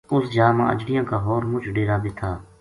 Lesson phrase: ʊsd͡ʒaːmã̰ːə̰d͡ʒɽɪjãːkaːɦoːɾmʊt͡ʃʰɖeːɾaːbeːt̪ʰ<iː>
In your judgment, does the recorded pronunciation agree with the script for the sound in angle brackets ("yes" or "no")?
no